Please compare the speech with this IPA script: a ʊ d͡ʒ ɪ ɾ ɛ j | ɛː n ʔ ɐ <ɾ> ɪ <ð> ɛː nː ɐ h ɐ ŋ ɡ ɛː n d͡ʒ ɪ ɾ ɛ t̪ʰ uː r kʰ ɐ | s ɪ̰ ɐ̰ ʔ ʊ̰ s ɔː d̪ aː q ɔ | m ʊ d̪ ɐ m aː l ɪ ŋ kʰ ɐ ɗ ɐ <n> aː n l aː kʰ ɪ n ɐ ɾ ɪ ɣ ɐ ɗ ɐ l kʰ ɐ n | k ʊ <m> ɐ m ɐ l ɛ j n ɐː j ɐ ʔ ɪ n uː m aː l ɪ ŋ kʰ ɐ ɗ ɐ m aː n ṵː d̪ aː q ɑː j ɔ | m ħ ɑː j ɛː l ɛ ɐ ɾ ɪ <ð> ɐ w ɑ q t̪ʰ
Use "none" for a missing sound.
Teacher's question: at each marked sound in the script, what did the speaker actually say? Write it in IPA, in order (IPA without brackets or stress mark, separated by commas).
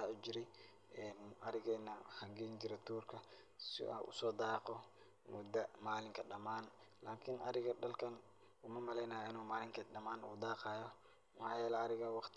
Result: ɾ, ɣ, m, m, ɣ